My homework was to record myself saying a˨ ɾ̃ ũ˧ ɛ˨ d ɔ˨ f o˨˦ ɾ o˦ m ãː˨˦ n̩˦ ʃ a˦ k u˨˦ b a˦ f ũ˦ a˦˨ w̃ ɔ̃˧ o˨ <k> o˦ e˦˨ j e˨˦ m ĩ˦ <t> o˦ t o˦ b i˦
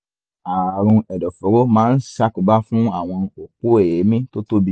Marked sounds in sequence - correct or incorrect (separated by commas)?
incorrect, correct